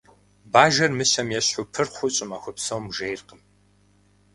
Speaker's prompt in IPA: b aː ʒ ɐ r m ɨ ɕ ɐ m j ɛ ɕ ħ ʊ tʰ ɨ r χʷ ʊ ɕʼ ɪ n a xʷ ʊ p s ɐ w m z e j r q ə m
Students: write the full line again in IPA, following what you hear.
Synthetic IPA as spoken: b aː ʒ ɐ r m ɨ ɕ ɐ m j ɛ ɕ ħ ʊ pʰ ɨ r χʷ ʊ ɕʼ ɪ m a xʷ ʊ p s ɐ w m ʒ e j r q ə m